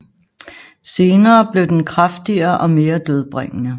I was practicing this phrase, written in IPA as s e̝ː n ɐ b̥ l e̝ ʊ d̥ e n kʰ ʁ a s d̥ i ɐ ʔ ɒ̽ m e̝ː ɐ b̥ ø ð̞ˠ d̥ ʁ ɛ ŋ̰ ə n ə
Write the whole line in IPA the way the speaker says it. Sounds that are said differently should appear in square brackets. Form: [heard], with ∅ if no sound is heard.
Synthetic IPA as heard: s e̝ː n [ɐː] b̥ l e̝ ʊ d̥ e n kʰ ʁ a [f] d̥ i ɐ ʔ ɒ̽ m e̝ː ɐ [d̥] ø ð̞ˠ [b̥] ʁ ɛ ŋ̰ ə n ə